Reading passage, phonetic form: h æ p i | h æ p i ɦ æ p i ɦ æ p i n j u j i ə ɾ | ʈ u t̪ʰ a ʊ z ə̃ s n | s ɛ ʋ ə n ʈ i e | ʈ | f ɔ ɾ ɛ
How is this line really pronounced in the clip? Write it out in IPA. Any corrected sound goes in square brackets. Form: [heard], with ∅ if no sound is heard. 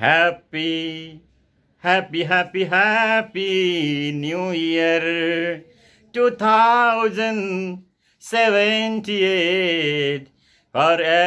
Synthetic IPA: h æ p i | h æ p i ɦ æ p i ɦ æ p i n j u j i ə ɾ | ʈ u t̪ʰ a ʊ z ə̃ [∅] n | s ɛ ʋ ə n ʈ i e | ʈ | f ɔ ɾ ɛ

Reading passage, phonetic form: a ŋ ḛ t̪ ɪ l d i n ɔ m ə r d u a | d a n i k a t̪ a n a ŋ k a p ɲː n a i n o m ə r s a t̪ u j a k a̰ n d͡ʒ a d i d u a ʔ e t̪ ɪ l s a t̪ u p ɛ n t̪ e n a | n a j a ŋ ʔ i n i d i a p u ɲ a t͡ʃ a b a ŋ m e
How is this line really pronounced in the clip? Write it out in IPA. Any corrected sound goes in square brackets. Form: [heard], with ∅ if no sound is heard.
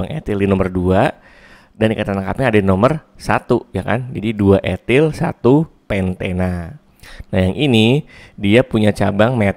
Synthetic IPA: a ŋ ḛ t̪ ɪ l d i n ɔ m ə r d u a | d a n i k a t̪ a n a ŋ k a p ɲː [d] a i n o m ə r s a t̪ u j a k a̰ n d͡ʒ a d i d u a ʔ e t̪ ɪ l s a t̪ u p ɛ n t̪ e n a | n a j a ŋ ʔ i n i d i a p u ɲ a t͡ʃ a b a ŋ m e

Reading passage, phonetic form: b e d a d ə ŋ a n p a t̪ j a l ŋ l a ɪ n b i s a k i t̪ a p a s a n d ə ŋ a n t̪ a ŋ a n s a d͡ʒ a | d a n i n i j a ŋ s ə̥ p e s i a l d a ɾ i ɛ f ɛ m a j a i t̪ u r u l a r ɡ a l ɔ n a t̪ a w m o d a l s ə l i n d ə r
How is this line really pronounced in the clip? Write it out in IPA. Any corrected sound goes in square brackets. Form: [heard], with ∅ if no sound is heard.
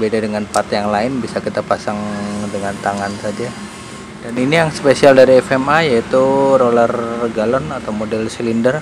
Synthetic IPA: b e d a d ə ŋ a n p a t̪ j a [∅] ŋ l a ɪ n b i s a k i t̪ a p a s a [ŋ] d ə ŋ a n t̪ a ŋ a n s a d͡ʒ a | d a n i n i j a ŋ s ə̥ p e s i a l d a ɾ i ɛ f ɛ m a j a i t̪ u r [o] l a r ɡ a l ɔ n a t̪ a w m o d [ɛ] l s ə l i n d ə r

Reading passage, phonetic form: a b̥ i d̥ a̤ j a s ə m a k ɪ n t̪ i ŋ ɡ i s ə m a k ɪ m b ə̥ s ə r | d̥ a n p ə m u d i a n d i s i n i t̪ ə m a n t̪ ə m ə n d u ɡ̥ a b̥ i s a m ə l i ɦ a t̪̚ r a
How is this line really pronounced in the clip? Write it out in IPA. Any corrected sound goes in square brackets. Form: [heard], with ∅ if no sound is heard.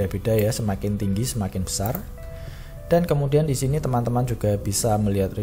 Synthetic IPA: a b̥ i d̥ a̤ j a s ə m a k ɪ n t̪ i ŋ ɡ i s ə m a k ɪ [n] b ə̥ s [a] r | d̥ a n [k] ə m u d i a n d i s i n i t̪ ə m a n t̪ ə m [a] n [d͡ʒ] u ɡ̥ a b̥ i s a m ə l i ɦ a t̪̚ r [i]

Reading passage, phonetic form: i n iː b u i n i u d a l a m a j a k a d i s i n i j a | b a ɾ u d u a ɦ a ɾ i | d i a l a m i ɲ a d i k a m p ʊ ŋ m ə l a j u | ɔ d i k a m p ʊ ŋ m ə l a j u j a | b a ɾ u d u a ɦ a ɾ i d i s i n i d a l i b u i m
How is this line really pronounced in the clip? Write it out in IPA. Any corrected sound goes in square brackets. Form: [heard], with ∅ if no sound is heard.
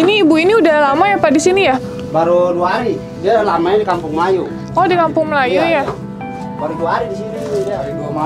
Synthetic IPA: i n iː b u i n i u d a l a m a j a [p] a d i s i n i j a | b a ɾ u d u a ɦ a ɾ i | d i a l a m [a] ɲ a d i k a m p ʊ ŋ m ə l a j u | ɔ d i k a m p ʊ ŋ m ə l a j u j a | b a ɾ u d u a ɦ a ɾ i d i s i n i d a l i [d] u [a] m

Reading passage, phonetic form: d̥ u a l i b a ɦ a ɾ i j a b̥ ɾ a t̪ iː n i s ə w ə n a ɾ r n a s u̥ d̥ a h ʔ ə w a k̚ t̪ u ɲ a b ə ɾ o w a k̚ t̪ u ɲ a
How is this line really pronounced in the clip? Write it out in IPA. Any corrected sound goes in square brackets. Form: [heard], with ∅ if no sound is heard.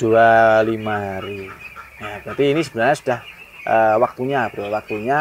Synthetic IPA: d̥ u a l i [m] a ɦ a ɾ i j a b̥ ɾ a t̪ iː n i s ə [b] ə n a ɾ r [ɲ] a s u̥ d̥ a h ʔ ə w a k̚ t̪ u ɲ a b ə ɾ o w a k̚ t̪ u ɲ a

